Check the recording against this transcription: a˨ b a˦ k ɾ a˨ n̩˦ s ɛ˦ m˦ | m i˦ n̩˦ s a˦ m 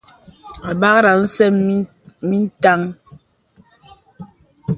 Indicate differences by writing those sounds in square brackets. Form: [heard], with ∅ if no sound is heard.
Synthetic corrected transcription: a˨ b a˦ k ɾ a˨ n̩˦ s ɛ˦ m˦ | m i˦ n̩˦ [t] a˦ [ŋ]